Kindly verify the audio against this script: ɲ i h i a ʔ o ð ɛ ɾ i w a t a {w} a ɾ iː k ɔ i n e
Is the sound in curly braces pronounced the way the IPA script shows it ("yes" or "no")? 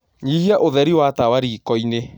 yes